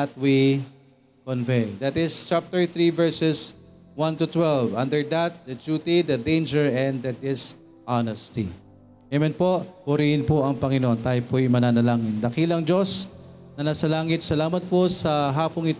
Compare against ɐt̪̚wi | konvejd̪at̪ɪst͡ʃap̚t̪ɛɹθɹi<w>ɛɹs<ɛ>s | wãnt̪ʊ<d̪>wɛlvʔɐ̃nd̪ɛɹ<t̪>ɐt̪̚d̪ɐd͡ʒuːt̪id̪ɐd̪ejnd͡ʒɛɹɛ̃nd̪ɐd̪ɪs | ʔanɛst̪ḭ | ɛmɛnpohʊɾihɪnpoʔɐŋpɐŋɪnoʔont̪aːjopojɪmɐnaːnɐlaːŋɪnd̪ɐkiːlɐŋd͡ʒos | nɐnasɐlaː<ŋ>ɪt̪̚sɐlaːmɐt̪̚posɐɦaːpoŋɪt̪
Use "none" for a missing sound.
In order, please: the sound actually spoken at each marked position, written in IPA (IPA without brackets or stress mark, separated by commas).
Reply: v, ɛ, t̪, d̪, ŋ